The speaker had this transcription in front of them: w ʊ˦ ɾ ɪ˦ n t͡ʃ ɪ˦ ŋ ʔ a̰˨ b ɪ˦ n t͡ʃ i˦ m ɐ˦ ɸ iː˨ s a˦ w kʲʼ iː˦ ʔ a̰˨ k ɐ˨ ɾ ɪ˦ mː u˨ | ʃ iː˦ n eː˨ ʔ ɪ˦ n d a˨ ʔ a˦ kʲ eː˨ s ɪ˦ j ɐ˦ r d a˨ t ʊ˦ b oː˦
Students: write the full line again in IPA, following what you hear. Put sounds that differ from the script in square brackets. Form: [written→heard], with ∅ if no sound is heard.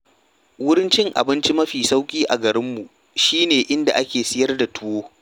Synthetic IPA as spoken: w ʊ˦ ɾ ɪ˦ n t͡ʃ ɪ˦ ŋ ʔ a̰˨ b ɪ˦ n t͡ʃ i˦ m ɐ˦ ɸ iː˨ s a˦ w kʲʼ iː˦ ʔ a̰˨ [k→ɡ] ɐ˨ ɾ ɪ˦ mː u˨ | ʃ iː˦ n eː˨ ʔ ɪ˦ n d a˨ ʔ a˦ kʲ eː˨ s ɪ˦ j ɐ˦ r d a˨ t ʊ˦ [b→w] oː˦